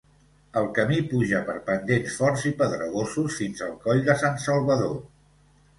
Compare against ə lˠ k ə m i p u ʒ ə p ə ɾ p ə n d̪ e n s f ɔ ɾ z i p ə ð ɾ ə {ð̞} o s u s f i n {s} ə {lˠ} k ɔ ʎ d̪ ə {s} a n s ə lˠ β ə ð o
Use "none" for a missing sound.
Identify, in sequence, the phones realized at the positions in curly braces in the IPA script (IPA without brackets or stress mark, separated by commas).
ɣ̞, z, lˠ, s